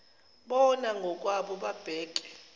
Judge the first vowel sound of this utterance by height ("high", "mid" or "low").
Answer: mid